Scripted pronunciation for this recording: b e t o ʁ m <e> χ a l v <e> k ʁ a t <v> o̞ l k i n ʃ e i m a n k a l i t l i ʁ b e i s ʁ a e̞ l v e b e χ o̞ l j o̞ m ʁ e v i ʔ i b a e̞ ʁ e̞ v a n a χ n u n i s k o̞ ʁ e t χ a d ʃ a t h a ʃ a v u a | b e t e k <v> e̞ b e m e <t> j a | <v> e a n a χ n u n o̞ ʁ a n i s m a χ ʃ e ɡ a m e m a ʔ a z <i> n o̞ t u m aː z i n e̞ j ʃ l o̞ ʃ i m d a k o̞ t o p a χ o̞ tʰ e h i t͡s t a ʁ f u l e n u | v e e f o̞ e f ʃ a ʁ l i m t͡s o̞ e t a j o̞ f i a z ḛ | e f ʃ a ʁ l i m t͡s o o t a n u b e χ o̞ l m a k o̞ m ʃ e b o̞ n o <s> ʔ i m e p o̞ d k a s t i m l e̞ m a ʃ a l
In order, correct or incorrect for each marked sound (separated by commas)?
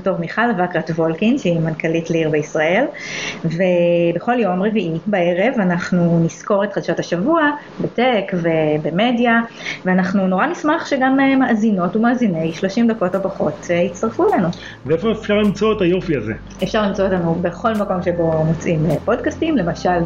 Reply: incorrect, incorrect, correct, correct, incorrect, correct, correct, incorrect